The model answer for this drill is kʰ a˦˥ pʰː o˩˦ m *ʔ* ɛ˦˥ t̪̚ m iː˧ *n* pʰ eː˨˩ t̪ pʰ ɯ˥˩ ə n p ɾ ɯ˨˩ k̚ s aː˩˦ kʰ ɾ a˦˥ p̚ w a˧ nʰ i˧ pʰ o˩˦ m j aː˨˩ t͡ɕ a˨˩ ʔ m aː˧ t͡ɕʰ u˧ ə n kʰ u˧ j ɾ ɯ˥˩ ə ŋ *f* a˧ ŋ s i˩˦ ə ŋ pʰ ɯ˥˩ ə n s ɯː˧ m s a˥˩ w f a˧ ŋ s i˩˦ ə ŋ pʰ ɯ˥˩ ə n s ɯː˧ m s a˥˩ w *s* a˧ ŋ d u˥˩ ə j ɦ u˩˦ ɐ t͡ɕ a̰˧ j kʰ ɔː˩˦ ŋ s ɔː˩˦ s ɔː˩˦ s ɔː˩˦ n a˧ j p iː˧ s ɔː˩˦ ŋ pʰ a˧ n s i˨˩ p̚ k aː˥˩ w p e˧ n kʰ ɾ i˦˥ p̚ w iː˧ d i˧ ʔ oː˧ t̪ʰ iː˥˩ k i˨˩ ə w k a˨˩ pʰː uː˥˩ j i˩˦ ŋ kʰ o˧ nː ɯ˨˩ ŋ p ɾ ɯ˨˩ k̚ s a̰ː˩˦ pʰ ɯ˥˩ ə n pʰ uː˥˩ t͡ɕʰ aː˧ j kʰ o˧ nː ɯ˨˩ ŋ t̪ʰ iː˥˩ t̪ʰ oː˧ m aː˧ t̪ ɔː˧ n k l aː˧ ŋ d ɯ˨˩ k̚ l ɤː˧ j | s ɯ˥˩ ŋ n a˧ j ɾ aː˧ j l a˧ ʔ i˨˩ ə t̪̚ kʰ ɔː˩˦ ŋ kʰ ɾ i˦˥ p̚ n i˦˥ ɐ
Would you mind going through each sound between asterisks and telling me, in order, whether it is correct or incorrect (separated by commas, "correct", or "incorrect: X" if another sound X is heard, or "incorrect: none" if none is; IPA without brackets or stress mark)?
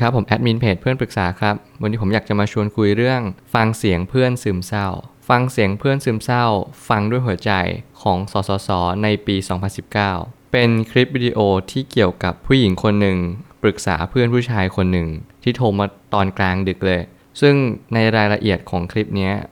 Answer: correct, correct, correct, incorrect: f